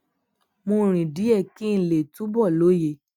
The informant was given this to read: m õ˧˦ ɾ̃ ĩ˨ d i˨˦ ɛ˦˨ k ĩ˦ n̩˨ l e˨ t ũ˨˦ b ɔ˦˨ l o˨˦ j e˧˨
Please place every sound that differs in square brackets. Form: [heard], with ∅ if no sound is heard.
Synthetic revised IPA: m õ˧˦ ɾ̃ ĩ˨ d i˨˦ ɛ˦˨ k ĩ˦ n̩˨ l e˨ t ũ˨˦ b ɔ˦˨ l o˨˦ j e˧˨

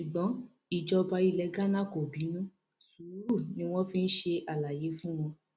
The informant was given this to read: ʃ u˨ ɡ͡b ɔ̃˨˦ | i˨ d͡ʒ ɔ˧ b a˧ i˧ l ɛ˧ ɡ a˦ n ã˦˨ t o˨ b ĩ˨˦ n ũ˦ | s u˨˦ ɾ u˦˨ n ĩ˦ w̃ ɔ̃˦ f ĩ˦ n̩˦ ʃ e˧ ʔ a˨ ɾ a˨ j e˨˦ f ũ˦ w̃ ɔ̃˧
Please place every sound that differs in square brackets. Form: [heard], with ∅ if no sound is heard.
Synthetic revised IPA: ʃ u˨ ɡ͡b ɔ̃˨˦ | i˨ d͡ʒ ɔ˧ b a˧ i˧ l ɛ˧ ɡ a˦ n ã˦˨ [k] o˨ b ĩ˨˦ n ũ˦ | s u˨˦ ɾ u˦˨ n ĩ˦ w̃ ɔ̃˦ f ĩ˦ n̩˦ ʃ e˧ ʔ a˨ [l] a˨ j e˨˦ f ũ˦ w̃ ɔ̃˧

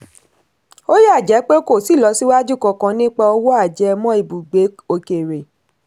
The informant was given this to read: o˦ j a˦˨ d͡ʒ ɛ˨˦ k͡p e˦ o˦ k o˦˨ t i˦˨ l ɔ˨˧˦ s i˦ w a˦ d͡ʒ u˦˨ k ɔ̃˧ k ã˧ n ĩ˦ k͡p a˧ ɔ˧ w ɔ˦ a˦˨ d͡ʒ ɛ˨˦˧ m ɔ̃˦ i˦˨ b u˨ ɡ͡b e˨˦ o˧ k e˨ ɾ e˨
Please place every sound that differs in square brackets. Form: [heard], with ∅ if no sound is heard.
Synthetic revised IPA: o˦ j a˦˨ d͡ʒ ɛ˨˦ k͡p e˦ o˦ k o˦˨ [s] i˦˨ l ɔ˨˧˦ s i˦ w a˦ d͡ʒ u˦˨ k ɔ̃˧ k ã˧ n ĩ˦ k͡p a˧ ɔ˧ w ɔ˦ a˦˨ d͡ʒ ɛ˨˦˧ m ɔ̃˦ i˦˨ b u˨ ɡ͡b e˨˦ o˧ k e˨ ɾ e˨

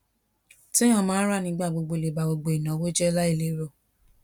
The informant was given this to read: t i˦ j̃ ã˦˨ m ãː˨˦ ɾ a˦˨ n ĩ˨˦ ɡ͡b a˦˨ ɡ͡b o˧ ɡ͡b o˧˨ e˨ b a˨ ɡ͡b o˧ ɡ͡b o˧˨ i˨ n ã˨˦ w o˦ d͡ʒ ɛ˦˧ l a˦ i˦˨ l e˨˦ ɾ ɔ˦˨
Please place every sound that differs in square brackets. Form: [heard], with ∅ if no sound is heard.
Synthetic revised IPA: t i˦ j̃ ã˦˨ m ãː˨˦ ɾ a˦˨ n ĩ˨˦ ɡ͡b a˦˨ ɡ͡b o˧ ɡ͡b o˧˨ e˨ b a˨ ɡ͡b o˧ ɡ͡b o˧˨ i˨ n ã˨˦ w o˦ d͡ʒ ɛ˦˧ l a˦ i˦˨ l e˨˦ ɾ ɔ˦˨

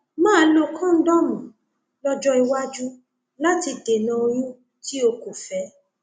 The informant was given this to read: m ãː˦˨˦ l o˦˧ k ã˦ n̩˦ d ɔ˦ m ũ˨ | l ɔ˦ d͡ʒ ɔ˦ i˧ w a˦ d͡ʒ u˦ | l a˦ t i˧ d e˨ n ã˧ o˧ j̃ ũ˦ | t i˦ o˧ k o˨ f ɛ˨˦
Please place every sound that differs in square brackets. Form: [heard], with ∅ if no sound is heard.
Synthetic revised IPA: m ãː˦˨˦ l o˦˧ k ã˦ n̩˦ d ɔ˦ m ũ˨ | l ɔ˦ d͡ʒ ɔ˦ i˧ w a˦ d͡ʒ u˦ | l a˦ t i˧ d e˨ n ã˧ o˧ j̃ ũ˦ | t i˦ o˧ k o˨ f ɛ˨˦

